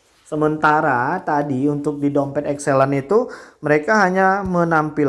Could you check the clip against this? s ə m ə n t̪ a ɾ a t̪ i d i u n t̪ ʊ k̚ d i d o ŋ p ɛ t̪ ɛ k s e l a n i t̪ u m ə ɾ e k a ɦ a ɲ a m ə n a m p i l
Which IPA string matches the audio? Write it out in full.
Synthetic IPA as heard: s ə m ə n t̪ a ɾ a t̪ a d i u n t̪ ʊ k̚ d i d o m p ɛ t̪ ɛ k s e l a n i t̪ u m ə ɾ e k a ɦ a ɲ a m ə n a m p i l